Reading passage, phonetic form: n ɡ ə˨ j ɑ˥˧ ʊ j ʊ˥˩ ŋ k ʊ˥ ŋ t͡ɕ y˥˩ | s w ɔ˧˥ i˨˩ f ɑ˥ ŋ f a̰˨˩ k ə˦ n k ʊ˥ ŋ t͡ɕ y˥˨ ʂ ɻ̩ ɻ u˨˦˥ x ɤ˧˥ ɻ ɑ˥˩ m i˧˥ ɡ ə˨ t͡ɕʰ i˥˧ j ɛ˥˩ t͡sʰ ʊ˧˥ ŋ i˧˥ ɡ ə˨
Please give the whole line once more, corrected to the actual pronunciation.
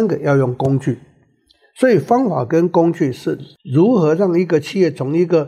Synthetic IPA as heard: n ɡ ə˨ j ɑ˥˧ ʊ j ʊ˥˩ ŋ k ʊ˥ ŋ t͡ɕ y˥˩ | s w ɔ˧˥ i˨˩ f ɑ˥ ŋ f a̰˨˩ k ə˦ n k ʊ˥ ŋ t͡ɕ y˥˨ ʂ ɻ̩ ɻ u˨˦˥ x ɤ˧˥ ɻ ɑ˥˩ ŋ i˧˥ ɡ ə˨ t͡ɕʰ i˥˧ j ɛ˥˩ t͡sʰ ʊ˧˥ ŋ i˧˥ ɡ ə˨